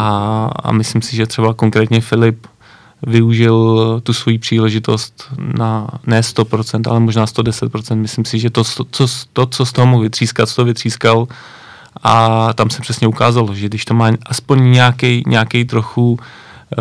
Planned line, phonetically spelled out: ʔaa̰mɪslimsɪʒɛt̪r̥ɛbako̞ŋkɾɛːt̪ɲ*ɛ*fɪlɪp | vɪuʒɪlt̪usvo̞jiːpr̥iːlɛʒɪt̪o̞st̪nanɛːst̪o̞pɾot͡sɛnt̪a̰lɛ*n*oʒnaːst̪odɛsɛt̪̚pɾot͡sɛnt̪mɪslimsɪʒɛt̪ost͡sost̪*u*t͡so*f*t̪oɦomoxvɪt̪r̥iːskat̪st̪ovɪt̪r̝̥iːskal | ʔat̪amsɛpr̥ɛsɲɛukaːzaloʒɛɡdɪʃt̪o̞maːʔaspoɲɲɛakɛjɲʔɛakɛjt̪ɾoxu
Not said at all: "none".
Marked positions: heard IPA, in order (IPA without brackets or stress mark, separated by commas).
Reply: ɛ, m, o, s